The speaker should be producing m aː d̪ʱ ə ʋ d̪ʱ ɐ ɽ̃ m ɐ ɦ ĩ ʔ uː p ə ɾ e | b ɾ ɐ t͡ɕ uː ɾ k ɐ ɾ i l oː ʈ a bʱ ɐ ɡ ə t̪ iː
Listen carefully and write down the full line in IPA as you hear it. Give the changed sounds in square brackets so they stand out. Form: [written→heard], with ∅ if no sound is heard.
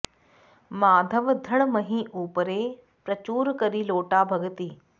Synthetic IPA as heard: m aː d̪ʱ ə ʋ d̪ʱ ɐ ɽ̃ m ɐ ɦ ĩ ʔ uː p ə ɾ e | [b→p] ɾ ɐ t͡ɕ uː ɾ k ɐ ɾ i l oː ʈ a bʱ ɐ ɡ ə t̪ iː